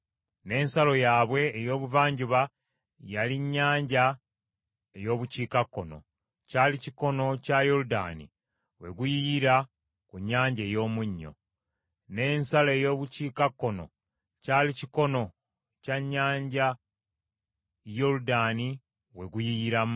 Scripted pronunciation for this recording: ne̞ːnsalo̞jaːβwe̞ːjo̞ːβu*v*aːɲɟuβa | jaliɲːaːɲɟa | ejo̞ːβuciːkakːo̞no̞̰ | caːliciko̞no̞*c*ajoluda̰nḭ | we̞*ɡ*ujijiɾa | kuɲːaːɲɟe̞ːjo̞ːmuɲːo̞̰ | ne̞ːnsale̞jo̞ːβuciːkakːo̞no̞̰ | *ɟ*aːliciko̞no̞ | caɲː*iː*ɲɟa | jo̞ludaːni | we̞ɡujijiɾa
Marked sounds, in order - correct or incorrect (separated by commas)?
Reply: correct, correct, correct, incorrect, incorrect